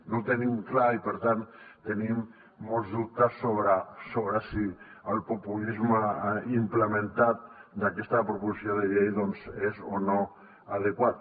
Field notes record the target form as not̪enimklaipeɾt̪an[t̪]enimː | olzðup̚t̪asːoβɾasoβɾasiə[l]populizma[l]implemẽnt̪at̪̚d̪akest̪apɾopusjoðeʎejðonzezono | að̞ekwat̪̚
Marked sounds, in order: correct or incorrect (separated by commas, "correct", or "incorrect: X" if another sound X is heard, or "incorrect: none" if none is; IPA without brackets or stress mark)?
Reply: correct, correct, incorrect: none